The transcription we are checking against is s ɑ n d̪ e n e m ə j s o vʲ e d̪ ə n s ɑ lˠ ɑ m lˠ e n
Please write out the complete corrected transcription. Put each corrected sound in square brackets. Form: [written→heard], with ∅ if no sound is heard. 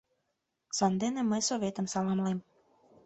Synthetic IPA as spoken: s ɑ n d̪ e n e m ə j s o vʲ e [d̪→t̪] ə [n→m] s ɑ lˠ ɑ m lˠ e [n→m]

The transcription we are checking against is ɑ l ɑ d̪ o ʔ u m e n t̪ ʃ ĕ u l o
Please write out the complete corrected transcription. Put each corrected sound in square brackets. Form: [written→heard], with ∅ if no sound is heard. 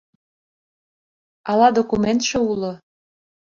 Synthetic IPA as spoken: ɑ l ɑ d̪ o [ʔ→k] u m e n t̪ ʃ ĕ u l o

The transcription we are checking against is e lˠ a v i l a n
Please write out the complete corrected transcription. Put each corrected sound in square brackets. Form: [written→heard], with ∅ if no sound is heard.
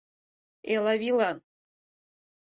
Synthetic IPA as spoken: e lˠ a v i l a n

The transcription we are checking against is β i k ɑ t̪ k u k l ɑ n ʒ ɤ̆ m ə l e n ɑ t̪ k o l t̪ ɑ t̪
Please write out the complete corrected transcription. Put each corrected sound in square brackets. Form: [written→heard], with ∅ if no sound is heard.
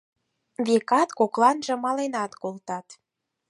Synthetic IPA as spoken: β [i→e] k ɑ t̪ k [u→o] k l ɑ n ʒ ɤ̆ m [ə→ɑ] l e n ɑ t̪ k o l t̪ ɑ t̪

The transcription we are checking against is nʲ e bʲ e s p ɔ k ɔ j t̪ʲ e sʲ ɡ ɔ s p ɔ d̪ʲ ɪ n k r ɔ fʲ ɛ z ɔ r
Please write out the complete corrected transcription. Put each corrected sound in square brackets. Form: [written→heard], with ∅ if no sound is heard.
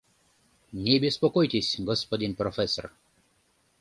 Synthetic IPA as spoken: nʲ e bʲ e s p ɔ k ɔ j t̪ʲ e sʲ ɡ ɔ s p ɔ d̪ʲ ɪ n [k→p] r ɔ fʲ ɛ [z→s] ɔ r

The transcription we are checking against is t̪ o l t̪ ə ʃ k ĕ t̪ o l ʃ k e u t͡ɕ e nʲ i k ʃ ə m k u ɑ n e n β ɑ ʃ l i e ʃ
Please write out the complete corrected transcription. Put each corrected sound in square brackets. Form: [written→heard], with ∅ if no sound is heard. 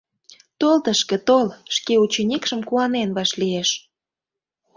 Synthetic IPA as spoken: t̪ o l t̪ ə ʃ k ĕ t̪ o l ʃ k e u t͡ɕ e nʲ i k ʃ ə m k u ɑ n e n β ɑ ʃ l i e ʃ

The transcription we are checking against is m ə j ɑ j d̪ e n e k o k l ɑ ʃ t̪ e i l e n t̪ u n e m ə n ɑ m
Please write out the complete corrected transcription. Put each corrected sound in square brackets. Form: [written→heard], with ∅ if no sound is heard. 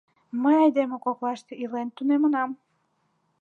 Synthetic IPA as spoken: m ə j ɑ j d̪ e [n→m] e k o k l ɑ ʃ t̪ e i l e n t̪ u n e m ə n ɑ m

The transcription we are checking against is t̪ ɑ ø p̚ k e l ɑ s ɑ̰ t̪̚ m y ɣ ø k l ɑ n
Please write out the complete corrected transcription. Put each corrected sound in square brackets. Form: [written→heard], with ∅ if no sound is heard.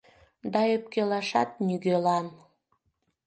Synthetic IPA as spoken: [t̪→d̪] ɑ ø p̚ k e l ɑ [s→ʃ] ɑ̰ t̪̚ [m→n] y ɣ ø [k→∅] l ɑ n

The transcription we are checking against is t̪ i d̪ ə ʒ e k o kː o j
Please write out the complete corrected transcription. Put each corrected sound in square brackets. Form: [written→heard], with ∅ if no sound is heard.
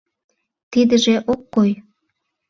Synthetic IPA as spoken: t̪ i d̪ ə ʒ e [k→ʔ] o kː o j

